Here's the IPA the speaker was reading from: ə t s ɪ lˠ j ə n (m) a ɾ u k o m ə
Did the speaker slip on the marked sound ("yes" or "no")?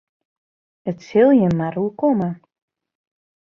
no